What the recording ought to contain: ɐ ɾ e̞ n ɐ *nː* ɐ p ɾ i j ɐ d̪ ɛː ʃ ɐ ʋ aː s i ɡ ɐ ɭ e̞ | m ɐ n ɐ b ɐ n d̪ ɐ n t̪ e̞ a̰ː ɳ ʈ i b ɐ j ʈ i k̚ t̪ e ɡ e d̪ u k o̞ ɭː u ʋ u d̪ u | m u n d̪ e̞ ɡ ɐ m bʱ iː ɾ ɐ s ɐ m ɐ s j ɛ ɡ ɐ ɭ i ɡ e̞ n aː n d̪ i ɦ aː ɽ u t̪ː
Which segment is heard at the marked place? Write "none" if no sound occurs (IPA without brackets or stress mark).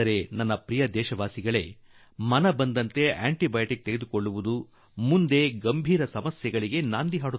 nː